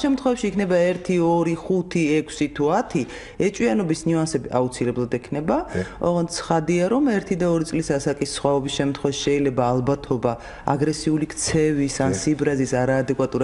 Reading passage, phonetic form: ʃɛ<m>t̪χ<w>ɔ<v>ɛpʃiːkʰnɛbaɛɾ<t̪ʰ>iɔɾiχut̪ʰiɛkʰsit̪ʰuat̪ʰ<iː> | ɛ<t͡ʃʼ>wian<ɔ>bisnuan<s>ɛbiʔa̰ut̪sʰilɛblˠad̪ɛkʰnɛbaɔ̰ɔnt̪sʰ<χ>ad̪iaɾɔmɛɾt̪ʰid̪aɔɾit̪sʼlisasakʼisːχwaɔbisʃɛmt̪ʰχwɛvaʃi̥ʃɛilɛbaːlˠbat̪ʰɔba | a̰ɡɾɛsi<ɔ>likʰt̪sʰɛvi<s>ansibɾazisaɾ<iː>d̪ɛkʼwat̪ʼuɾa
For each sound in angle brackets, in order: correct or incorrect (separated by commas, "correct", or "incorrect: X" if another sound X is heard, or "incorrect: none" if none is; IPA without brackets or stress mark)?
correct, correct, correct, correct, incorrect: i, correct, correct, correct, correct, incorrect: u, correct, incorrect: aː